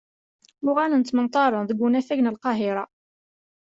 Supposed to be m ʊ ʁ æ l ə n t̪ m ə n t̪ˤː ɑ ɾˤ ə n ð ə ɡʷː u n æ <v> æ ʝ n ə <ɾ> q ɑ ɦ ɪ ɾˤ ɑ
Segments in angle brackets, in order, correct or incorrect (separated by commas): incorrect, incorrect